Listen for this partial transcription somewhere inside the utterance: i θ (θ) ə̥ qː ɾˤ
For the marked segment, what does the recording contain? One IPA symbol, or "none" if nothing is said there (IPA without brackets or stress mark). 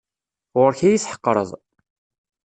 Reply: ħ